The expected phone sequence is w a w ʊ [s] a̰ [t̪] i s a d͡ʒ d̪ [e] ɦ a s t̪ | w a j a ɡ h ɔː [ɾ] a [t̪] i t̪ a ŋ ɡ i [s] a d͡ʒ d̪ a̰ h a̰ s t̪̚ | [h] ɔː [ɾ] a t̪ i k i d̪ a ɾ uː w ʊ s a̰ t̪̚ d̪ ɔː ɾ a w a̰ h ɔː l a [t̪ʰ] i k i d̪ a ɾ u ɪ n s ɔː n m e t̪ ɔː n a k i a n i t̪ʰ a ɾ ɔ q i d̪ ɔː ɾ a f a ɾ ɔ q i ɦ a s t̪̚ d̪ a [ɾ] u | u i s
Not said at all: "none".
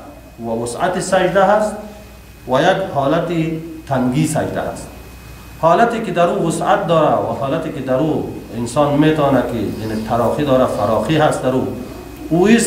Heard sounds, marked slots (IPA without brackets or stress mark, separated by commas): s, t̪, a, l, t̪, s, h, l, t̪, ɾ